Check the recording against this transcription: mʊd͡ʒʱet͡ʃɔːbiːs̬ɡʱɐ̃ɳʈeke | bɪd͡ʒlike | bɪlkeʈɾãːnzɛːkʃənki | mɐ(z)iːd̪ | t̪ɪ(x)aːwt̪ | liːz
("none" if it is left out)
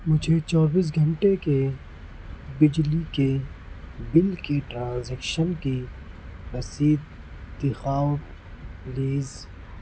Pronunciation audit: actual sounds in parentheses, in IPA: s, x

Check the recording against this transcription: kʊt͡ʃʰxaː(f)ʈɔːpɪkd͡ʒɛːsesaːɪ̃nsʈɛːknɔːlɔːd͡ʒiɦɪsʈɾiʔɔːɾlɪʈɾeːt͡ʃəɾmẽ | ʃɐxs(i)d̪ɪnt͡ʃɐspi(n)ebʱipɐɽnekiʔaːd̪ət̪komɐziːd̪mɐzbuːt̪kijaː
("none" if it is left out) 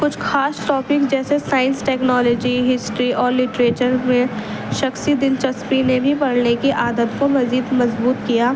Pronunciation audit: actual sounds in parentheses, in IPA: s, i, n

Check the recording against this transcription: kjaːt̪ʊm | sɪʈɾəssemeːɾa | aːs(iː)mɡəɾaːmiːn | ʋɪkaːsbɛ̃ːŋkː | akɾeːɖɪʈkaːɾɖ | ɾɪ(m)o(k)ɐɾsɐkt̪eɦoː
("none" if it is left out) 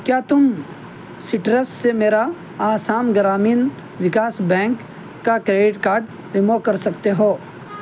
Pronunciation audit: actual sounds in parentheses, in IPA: aː, m, k

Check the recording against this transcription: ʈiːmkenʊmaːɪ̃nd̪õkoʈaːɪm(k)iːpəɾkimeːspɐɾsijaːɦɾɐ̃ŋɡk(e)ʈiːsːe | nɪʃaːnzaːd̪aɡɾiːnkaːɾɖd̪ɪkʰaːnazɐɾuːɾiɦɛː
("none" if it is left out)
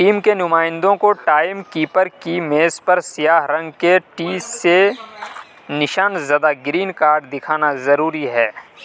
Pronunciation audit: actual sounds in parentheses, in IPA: k, e

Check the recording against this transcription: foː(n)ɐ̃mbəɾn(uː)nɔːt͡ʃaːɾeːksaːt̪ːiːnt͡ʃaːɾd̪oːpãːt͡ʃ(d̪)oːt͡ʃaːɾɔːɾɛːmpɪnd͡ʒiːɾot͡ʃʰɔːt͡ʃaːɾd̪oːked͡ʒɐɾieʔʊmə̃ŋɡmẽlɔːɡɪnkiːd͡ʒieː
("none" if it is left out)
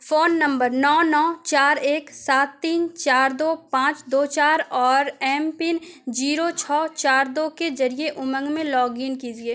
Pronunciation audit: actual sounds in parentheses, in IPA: nː, ɔː, d̪

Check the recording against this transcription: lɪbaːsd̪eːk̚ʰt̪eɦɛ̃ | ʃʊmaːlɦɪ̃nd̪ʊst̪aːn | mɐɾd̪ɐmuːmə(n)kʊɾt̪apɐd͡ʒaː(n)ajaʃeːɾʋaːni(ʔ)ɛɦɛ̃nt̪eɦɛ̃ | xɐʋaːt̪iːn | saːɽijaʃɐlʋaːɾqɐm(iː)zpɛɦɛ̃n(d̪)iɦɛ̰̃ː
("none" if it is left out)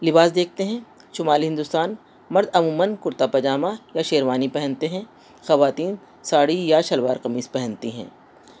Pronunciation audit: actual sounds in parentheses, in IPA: n, m, p, iː, t̪

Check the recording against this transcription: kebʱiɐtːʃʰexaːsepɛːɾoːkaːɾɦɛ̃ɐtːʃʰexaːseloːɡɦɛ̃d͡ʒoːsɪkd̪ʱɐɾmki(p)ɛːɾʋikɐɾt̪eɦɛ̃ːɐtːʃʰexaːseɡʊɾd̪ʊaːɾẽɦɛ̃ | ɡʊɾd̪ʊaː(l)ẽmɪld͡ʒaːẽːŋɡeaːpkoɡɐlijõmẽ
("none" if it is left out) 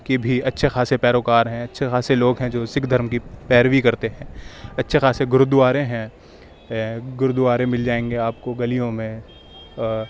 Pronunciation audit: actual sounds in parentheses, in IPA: p, ɾ

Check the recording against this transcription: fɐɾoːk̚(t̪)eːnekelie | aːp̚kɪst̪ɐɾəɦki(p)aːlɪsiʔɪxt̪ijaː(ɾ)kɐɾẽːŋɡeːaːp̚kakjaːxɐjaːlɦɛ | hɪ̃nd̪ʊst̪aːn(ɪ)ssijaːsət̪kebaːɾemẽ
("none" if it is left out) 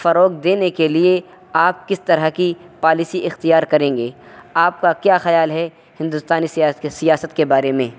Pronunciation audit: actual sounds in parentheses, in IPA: d̪, p, ɾ, i

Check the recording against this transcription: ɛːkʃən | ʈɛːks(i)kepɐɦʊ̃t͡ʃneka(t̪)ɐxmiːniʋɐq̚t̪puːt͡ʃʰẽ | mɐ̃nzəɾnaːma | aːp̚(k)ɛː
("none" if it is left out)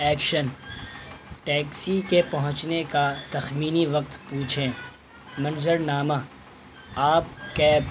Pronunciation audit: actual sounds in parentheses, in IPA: i, t̪, k

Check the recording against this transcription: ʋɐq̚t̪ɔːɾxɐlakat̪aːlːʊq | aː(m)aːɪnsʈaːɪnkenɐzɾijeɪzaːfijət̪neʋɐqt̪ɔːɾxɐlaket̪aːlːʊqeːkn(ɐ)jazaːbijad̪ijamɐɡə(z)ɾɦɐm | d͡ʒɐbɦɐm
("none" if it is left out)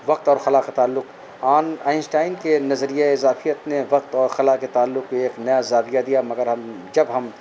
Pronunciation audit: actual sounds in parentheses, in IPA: n, ɐ, none

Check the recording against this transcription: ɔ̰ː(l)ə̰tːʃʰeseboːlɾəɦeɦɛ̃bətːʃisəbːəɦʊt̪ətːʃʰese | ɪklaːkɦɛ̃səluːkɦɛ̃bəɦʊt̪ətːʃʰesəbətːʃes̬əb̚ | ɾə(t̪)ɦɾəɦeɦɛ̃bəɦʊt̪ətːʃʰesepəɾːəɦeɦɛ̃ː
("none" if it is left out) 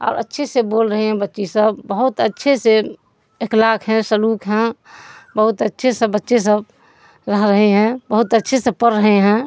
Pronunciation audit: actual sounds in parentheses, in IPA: ɾ, none

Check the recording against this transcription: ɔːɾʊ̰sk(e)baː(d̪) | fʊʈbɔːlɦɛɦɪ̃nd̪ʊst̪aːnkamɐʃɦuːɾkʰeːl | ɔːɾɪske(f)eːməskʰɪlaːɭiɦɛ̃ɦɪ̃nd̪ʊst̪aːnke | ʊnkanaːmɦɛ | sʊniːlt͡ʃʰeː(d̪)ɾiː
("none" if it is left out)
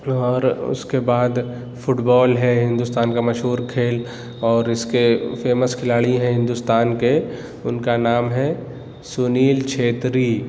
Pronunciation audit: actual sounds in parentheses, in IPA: e, d̪, f, t̪

